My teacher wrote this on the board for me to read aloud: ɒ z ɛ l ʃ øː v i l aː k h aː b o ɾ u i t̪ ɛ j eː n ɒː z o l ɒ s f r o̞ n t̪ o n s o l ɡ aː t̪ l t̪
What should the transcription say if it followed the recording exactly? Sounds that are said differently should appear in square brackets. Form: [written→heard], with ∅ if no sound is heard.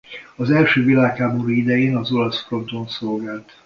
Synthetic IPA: ɒ z ɛ l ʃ øː v i l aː k h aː b o ɾ u i [t̪→d̪] ɛ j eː n [ɒː→ɒ] z o l ɒ s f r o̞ n t̪ o n s o l ɡ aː [t̪→∅] l t̪